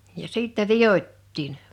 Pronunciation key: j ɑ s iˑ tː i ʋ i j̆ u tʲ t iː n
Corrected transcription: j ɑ s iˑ tː ɛ ʋ i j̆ o tʲ t iː n